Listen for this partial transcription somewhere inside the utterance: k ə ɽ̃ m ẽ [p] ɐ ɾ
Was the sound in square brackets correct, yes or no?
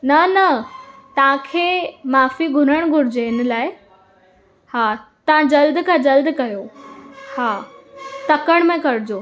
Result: no